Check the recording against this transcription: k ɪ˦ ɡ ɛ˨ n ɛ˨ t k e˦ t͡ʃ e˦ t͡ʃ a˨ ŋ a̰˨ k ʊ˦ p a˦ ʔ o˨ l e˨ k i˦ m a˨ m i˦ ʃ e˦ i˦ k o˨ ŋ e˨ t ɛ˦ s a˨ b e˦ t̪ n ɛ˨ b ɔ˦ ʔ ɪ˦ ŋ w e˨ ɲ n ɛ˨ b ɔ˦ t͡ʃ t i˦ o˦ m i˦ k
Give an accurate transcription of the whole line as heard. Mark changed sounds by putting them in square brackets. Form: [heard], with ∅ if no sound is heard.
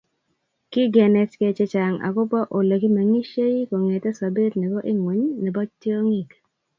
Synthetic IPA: k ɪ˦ ɡ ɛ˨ n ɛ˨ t k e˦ t͡ʃ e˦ t͡ʃ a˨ ŋ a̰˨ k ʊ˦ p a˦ ʔ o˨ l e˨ k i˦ m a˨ [ŋ] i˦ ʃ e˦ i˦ k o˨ ŋ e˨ t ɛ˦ s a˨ b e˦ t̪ n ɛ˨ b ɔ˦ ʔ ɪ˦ ŋ w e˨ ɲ n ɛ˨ b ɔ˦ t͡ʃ t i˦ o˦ [ŋ] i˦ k